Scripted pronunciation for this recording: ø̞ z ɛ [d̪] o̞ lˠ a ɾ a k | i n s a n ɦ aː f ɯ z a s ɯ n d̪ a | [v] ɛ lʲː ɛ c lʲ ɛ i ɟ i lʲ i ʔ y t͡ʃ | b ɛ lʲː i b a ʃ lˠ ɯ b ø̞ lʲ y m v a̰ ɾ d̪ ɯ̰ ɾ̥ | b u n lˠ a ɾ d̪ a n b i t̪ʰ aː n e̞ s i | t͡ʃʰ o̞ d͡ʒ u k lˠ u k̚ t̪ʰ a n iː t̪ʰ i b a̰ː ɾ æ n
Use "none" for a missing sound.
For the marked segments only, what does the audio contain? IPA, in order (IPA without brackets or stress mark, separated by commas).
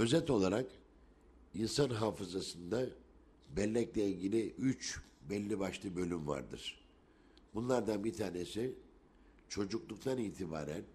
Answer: t̪, b